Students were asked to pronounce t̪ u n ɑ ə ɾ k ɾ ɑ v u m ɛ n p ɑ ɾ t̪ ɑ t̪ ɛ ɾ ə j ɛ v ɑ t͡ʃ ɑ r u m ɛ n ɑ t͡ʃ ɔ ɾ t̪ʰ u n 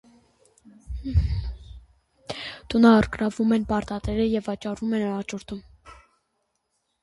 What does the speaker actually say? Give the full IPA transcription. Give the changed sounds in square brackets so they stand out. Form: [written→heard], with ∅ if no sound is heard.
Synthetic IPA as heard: t̪ u n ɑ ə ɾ k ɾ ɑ v u m ɛ n p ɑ ɾ t̪ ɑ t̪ ɛ ɾ ə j ɛ v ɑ t͡ʃ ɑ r u m ɛ n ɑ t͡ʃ ɔ ɾ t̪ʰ u [n→m]